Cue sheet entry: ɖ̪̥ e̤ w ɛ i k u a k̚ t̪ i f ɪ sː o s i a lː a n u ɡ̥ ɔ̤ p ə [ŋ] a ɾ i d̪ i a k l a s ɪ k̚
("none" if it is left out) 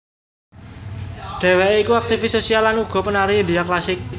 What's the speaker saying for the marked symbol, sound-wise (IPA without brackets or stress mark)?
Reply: n